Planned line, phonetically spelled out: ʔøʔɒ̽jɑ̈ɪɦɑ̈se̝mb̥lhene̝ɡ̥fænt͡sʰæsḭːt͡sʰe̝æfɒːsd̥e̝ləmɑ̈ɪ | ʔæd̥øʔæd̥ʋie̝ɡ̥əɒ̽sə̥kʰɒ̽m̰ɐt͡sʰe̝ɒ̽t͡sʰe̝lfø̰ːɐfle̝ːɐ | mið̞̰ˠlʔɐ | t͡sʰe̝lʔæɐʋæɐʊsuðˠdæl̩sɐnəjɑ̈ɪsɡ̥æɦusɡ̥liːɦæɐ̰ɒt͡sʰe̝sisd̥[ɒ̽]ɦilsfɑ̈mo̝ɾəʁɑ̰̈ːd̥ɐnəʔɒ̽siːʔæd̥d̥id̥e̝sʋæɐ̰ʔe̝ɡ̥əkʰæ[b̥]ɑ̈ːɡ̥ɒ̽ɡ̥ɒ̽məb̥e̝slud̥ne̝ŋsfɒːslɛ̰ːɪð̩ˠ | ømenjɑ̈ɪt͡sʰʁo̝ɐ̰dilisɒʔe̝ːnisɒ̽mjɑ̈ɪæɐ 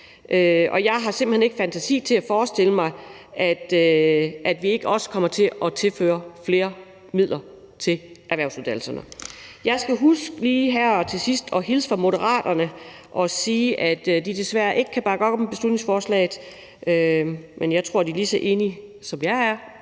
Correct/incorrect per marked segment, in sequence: correct, correct

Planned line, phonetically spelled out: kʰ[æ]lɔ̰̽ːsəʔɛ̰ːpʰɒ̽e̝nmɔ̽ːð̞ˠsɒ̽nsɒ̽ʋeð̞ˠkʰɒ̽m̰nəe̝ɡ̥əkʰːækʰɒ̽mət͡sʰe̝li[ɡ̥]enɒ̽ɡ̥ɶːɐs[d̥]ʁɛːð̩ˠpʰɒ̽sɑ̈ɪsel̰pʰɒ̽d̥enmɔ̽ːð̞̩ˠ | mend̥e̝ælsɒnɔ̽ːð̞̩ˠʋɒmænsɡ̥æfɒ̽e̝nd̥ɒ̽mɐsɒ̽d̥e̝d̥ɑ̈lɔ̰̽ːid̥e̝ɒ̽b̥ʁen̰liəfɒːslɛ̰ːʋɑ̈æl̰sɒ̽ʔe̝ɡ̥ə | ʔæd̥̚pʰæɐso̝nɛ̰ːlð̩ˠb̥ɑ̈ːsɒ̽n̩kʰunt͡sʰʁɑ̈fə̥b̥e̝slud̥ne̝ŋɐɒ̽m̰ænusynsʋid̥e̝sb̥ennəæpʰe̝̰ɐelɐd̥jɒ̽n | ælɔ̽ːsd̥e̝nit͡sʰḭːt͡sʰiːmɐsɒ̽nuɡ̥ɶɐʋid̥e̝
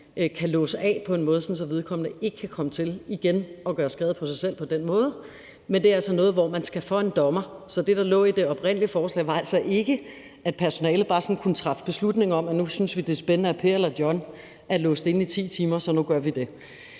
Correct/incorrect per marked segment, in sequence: correct, correct, incorrect: ɡ̥

